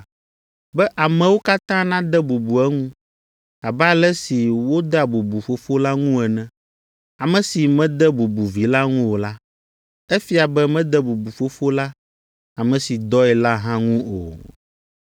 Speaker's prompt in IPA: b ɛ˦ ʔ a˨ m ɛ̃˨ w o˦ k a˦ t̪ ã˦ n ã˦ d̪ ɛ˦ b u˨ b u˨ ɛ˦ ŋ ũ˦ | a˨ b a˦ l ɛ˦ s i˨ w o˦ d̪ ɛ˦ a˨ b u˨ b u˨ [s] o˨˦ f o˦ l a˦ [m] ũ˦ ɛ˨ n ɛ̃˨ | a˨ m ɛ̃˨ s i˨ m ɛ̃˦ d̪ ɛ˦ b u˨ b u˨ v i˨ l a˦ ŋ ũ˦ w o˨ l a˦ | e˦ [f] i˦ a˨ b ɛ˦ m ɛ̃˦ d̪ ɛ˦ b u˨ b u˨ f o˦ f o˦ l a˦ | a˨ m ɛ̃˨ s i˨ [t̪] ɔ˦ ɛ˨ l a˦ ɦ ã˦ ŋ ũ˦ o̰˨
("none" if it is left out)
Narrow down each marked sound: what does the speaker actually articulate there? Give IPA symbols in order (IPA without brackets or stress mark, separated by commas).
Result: f, ŋ, f, d̪